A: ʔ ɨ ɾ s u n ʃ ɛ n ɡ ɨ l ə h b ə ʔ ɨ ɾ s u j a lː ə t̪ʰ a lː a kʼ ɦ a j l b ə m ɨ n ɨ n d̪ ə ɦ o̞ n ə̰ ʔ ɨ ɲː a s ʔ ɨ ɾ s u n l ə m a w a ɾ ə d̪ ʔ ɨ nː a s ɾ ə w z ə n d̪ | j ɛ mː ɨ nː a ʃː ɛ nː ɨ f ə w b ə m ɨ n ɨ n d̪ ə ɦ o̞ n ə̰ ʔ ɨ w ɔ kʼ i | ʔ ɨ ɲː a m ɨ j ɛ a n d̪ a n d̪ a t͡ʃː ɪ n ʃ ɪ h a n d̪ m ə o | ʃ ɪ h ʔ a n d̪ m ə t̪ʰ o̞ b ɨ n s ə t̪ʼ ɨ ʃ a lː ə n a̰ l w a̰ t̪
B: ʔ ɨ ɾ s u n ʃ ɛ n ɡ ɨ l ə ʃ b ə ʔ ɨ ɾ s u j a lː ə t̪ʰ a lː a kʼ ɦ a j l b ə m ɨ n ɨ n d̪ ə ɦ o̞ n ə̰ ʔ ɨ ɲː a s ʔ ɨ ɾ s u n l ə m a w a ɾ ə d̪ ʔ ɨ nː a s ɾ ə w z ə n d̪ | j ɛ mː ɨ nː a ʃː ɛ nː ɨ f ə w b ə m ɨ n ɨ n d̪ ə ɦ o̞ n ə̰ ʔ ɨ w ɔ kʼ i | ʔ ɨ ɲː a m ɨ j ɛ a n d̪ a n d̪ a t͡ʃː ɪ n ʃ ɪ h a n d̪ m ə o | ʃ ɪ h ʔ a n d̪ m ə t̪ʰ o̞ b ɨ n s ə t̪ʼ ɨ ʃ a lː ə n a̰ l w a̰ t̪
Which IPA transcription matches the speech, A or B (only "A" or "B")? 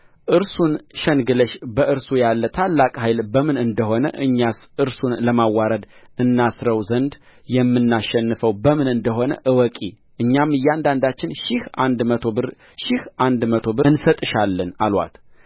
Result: B